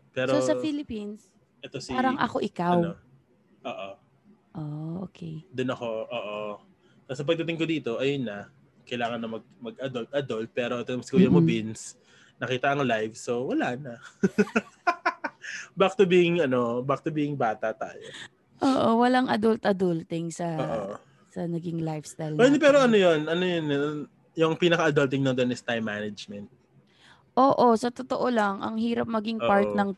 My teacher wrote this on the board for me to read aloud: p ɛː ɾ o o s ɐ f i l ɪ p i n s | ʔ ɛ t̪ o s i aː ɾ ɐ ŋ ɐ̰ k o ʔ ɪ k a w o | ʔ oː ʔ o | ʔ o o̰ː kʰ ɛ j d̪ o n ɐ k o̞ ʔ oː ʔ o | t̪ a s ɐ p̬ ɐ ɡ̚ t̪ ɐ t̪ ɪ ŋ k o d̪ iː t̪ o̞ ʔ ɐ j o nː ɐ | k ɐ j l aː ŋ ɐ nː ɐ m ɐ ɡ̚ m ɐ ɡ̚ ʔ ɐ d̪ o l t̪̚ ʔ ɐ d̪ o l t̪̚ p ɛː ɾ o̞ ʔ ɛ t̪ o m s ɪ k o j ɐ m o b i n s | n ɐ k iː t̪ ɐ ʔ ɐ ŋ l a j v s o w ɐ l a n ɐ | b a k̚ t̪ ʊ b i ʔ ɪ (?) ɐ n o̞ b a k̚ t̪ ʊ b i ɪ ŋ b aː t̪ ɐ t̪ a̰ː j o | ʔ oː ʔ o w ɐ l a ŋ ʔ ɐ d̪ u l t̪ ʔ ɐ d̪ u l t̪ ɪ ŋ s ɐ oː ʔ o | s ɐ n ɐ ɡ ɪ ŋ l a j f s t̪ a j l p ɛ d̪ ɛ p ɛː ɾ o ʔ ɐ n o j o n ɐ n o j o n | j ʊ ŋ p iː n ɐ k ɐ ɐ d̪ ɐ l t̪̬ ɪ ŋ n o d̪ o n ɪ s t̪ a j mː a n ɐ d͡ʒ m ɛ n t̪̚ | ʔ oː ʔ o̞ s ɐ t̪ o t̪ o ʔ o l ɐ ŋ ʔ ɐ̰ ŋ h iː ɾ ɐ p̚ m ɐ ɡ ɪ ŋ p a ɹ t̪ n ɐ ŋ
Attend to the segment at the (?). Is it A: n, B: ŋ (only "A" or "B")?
B